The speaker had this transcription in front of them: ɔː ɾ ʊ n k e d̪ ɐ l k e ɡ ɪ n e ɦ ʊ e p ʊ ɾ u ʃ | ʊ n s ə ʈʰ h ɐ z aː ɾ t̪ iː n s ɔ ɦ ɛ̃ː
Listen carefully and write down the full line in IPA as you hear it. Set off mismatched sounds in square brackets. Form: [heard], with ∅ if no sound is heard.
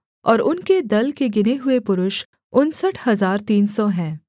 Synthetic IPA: ɔː ɾ ʊ n k e d̪ ɐ l k e ɡ ɪ n e ɦ ʊ e p ʊ ɾ [ʊ] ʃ | ʊ n s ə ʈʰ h ɐ z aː ɾ t̪ iː n s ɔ ɦ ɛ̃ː